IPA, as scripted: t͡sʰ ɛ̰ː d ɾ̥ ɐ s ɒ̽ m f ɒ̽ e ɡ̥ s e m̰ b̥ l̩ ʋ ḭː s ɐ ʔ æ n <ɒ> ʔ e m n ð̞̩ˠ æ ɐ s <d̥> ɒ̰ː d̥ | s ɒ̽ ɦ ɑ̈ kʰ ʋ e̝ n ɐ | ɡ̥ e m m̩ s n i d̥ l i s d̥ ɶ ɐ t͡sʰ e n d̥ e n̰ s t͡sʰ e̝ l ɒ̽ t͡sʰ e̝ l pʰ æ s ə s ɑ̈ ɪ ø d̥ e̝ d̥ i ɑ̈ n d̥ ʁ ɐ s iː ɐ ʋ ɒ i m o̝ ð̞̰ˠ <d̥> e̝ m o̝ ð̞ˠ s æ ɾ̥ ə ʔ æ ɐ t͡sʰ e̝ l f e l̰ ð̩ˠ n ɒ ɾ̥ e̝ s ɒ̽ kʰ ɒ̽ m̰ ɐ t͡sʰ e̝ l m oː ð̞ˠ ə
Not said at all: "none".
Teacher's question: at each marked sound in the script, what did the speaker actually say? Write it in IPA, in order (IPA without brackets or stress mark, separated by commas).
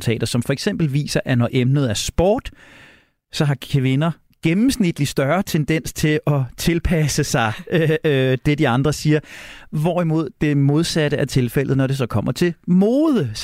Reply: ɒ, b̥, d̥